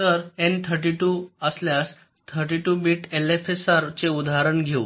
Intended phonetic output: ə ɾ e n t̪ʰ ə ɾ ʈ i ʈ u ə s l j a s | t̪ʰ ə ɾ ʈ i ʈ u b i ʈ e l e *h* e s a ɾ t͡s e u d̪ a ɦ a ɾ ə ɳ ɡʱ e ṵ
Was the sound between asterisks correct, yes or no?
no